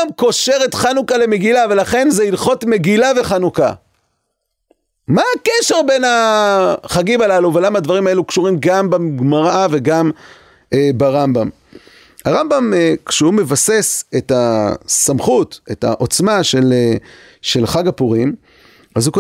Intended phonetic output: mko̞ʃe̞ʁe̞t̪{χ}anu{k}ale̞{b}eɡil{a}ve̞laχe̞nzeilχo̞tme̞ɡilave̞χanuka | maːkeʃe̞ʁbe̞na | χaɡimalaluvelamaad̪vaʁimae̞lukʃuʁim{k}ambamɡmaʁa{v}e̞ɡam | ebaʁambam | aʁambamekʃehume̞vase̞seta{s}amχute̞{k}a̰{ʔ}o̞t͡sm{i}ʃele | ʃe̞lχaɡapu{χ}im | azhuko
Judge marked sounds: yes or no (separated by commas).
yes, yes, no, yes, no, yes, yes, no, yes, no, no